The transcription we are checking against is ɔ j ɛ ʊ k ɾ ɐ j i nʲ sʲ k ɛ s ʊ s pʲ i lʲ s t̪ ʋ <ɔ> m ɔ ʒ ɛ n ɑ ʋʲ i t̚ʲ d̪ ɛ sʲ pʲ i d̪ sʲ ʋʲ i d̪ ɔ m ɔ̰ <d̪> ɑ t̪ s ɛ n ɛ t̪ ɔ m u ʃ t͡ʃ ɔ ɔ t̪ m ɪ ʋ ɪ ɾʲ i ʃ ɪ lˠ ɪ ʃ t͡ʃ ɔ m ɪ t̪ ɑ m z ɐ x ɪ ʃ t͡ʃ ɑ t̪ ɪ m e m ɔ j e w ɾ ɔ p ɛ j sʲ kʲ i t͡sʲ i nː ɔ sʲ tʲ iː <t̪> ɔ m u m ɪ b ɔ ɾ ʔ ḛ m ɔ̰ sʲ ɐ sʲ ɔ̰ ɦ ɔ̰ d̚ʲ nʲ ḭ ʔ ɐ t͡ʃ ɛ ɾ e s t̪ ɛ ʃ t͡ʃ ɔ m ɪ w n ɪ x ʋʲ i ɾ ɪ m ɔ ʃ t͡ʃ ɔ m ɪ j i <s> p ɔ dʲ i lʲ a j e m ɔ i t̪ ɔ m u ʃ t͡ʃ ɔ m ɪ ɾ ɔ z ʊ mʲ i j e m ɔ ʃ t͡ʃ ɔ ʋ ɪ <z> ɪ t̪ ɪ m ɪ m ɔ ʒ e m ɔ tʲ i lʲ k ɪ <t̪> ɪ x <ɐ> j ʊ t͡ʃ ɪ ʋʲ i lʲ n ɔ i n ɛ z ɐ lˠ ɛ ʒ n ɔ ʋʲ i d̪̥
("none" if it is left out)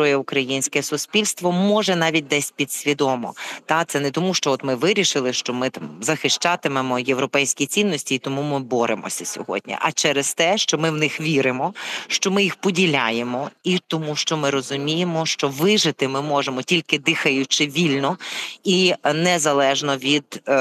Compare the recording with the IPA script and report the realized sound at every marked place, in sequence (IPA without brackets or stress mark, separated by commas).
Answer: ɔ, t̪, t̪, x, ʒ, d̪, ɐ